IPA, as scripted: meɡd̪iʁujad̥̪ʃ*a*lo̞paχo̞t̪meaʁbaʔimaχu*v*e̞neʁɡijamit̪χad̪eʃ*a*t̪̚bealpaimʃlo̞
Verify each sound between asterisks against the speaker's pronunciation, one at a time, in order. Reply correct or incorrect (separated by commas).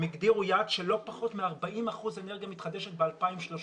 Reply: incorrect, incorrect, incorrect